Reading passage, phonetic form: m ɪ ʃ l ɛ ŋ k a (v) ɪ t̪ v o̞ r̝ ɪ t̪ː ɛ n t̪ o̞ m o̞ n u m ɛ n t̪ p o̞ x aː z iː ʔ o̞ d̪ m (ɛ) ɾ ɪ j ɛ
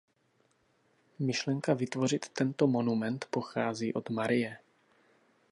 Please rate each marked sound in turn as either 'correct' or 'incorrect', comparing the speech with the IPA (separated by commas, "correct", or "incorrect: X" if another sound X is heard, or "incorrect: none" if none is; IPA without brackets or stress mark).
correct, incorrect: a